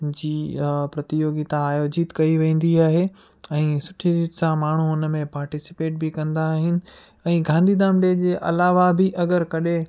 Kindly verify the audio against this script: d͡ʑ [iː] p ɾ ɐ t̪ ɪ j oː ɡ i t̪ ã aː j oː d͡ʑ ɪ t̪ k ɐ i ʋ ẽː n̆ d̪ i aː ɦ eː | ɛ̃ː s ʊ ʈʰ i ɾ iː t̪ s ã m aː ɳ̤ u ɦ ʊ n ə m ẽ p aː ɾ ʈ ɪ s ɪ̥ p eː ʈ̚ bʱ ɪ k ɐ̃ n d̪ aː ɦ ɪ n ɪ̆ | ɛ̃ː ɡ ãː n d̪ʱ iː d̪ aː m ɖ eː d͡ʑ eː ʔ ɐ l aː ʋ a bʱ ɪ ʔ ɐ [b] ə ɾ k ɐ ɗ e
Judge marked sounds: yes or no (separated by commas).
yes, no